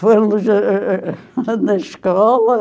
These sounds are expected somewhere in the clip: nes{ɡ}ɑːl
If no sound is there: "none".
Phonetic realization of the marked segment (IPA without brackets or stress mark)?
k